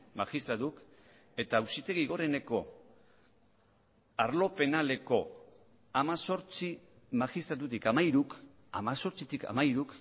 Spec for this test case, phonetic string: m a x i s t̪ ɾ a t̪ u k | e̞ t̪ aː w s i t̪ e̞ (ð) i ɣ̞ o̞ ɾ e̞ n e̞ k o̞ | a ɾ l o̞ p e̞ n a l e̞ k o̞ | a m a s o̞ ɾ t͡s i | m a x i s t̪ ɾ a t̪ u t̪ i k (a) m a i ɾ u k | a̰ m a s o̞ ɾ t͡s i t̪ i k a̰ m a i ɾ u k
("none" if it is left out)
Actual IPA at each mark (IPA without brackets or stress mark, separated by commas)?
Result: ɣ, a